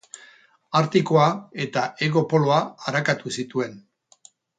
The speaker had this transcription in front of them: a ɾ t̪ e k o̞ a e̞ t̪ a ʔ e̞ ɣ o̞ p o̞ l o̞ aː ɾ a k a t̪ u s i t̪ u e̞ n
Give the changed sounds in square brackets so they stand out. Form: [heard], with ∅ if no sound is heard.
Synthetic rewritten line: a ɾ t̪ [i] k o̞ a e̞ t̪ a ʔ e̞ ɣ o̞ p o̞ l o̞ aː ɾ a k a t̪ u s i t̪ u e̞ n